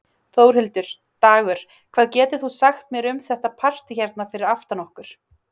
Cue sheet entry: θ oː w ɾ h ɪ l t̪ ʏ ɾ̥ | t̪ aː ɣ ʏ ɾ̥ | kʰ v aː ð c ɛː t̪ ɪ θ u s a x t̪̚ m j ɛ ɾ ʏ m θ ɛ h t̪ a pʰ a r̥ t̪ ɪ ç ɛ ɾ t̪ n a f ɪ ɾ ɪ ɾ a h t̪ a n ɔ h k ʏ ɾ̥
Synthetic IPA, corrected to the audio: θ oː w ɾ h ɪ l t̪ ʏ ɾ̥ | t̪ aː ɣ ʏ ɾ̥ | kʰ v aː ð c ɛː t̪ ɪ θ u s a x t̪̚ m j ɛ ɾ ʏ m θ ɛ h t̪ a pʰ a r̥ t̪ ɪ ç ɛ ɾ t̪ n a f ɪ ɾ ɪ ɾ a f t̪ a n ɔ h k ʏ ɾ̥